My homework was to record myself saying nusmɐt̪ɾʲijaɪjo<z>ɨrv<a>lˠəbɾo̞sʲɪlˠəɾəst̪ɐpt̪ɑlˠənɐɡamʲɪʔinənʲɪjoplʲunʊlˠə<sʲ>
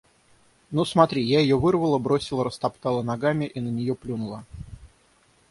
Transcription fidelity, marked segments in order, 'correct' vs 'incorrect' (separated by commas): incorrect, incorrect, incorrect